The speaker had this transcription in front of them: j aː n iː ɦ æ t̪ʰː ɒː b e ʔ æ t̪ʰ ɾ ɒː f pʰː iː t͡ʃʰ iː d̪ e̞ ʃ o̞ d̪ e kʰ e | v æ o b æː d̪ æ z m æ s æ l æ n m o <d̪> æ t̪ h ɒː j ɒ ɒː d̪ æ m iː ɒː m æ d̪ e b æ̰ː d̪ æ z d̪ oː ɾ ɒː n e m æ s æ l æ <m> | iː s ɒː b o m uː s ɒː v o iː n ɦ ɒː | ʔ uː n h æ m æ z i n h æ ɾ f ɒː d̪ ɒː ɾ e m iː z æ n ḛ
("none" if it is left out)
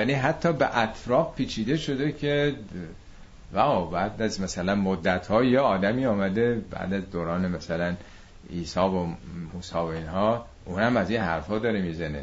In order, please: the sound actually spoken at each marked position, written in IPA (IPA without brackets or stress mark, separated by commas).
d̪ː, n